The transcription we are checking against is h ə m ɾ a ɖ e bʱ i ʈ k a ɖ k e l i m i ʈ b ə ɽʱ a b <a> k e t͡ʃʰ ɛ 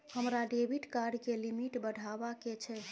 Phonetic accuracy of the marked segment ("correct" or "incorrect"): correct